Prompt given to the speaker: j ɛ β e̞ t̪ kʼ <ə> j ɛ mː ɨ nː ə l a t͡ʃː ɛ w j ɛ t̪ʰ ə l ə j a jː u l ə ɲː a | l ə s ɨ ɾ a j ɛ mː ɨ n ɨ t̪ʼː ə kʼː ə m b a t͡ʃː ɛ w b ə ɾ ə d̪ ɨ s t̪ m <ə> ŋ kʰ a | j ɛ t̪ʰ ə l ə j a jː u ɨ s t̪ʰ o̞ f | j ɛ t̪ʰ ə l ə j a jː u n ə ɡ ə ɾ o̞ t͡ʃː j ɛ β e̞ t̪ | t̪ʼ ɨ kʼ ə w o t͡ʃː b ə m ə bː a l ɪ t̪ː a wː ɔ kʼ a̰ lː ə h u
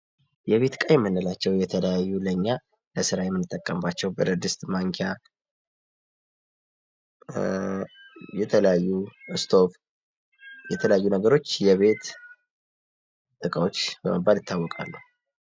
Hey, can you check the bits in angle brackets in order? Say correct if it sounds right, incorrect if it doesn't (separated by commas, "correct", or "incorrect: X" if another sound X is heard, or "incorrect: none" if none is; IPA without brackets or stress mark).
incorrect: a, incorrect: a